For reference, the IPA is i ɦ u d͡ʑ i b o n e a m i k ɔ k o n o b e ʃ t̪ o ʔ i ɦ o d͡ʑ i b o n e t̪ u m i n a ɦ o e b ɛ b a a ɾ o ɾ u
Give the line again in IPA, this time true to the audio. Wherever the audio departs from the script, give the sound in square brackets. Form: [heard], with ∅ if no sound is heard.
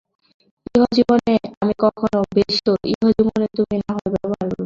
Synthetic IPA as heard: i ɦ [o] d͡ʑ i b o n e a m i k ɔ [kʰ] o n o b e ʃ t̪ o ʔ i ɦ o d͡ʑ i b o n e t̪ u m i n a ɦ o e b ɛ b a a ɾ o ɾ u